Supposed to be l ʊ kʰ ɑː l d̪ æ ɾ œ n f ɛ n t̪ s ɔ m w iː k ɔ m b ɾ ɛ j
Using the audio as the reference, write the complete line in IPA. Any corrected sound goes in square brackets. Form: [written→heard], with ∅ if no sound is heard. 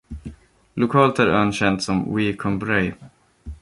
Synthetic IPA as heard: l ʊ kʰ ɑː l [d̪→t̪] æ ɾ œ n [f→ɕ] ɛ n t̪ s ɔ m w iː [k→kʰ] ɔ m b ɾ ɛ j